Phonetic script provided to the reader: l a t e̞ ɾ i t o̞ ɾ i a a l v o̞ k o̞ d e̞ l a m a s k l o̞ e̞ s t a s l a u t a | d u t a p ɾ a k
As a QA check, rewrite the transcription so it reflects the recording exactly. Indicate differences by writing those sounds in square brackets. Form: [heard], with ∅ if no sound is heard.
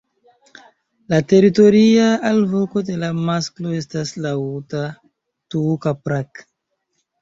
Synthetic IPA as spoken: l a t e̞ ɾ i t o̞ ɾ i a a l v o̞ k o̞ d e̞ l a m a s k l o̞ e̞ s t a s l a u t a | [t] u [k] a p ɾ a k